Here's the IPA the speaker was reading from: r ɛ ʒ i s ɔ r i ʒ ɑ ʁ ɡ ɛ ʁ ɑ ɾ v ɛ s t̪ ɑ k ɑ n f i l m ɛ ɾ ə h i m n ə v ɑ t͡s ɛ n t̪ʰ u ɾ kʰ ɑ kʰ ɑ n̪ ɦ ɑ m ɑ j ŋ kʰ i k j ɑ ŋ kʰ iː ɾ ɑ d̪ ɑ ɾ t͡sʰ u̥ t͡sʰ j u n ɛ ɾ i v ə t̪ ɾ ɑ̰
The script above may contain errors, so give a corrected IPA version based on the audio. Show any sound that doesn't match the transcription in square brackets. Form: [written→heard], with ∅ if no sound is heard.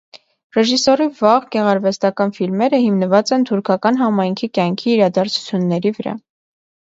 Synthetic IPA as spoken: r ɛ ʒ i s ɔ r i [ʒ→v] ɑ ʁ ɡ ɛ ʁ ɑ ɾ v ɛ s t̪ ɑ k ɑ n f i l m ɛ ɾ ə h i m n ə v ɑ t͡s ɛ n t̪ʰ u ɾ kʰ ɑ [kʰ→k] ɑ n̪ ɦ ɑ m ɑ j ŋ kʰ i k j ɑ ŋ kʰ iː ɾ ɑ d̪ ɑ ɾ t͡sʰ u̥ t͡sʰ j u [n→nː] ɛ ɾ i v ə [t̪→∅] ɾ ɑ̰